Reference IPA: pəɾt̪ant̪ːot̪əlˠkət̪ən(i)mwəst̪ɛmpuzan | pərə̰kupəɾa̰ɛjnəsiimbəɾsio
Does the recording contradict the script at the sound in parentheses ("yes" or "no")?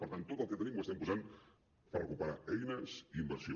no